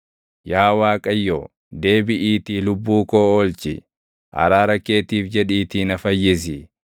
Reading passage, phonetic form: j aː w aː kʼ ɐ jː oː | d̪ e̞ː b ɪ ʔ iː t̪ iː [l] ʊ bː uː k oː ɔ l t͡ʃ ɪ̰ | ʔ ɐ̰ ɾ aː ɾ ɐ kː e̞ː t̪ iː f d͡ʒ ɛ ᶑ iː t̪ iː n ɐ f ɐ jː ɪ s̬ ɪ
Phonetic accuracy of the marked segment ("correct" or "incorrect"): correct